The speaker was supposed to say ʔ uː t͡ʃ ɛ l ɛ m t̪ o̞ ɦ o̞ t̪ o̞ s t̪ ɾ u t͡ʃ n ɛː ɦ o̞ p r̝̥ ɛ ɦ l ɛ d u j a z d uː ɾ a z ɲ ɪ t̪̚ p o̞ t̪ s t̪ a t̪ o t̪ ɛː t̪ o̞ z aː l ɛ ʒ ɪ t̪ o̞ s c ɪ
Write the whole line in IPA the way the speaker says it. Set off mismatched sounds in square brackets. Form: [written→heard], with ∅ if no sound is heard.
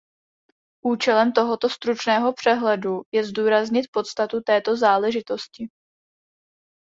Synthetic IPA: ʔ uː t͡ʃ ɛ l ɛ m t̪ o̞ ɦ o̞ t̪ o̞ s t̪ ɾ u t͡ʃ n ɛː ɦ o̞ p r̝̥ ɛ ɦ l ɛ d u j [a→ɛ] z d uː ɾ a z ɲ ɪ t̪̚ p o̞ t̪ s t̪ a t̪ [o→u] t̪ ɛː t̪ o̞ z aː l ɛ ʒ ɪ t̪ o̞ s c ɪ